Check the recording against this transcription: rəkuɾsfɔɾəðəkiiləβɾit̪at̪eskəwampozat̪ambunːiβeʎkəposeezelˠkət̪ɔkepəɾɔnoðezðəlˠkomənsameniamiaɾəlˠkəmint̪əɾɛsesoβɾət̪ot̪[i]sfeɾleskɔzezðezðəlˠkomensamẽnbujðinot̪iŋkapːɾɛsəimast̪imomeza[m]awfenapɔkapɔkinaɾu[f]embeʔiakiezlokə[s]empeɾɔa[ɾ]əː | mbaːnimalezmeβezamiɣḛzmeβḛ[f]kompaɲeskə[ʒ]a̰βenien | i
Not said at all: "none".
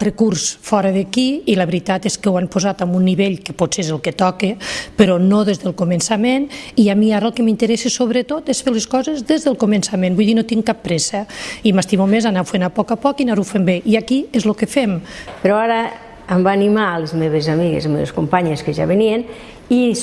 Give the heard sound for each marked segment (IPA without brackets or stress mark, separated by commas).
e, n, f, f, ɾ, s, ʒ